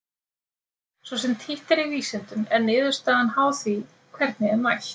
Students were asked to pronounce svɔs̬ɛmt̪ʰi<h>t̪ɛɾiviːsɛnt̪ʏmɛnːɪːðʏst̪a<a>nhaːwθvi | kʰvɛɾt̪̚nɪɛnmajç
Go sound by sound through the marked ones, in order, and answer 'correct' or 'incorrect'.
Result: correct, correct

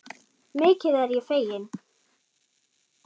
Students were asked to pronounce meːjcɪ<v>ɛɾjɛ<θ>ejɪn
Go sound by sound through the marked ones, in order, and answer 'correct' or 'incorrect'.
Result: incorrect, incorrect

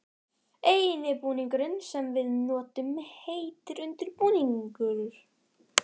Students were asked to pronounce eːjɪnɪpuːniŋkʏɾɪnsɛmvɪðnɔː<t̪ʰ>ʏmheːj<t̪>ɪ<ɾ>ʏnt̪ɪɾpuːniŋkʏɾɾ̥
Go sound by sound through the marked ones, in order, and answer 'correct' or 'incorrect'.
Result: incorrect, correct, correct

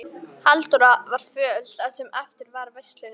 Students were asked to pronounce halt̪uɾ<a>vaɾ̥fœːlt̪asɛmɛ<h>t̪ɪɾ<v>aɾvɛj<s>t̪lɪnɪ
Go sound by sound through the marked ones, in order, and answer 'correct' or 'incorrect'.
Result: correct, incorrect, correct, correct

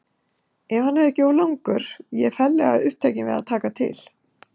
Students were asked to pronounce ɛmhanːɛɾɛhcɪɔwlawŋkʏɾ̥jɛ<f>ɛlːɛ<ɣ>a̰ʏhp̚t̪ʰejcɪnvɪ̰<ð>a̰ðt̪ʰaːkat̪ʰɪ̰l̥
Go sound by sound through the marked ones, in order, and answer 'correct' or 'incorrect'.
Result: correct, correct, correct

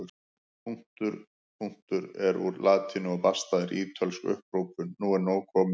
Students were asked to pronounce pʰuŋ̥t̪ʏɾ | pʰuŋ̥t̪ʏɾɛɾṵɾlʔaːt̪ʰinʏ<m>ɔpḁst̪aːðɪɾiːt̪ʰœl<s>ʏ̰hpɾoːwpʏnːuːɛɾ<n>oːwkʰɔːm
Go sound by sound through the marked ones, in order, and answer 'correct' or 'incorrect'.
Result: incorrect, correct, correct

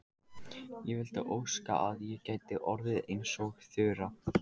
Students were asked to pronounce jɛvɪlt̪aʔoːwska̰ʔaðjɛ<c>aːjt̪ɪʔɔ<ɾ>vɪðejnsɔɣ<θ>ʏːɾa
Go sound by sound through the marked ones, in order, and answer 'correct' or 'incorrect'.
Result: correct, correct, correct

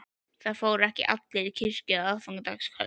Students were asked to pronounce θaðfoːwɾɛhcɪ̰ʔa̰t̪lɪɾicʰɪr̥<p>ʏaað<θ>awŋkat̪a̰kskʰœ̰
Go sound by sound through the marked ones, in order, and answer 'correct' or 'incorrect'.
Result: incorrect, incorrect

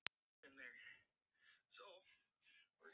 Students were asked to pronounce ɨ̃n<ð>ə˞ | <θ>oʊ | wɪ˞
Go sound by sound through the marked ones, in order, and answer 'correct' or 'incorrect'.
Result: correct, incorrect

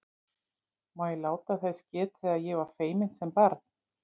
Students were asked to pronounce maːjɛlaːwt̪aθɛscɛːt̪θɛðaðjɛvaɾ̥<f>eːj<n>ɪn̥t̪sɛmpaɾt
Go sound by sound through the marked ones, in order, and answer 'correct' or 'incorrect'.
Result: correct, incorrect

